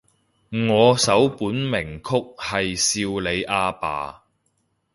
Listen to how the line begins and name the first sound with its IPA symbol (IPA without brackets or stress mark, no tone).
ŋ